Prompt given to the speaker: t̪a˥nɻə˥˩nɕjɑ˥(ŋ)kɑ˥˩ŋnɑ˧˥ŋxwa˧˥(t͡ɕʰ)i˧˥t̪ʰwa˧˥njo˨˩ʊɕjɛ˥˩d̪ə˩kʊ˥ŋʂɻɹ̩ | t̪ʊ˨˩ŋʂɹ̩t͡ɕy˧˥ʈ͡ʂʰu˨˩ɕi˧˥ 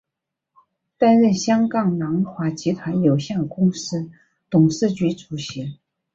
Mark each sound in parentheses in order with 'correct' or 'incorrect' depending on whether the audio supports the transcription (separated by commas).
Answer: correct, incorrect